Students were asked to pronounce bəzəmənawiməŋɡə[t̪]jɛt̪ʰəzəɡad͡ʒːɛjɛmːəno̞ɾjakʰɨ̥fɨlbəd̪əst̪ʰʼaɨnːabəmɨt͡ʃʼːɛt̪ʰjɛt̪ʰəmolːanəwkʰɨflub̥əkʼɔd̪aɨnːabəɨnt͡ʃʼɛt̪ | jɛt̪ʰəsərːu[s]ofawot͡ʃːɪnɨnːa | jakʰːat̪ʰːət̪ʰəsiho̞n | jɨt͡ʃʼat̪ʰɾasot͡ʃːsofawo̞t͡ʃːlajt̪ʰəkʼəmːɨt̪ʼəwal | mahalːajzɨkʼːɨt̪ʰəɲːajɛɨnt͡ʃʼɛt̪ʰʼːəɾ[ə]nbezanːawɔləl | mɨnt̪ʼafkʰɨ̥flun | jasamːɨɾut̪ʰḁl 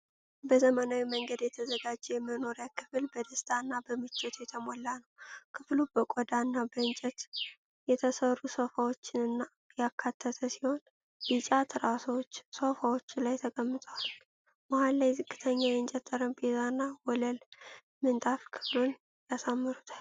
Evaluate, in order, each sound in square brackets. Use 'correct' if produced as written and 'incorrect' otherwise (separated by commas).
incorrect, correct, correct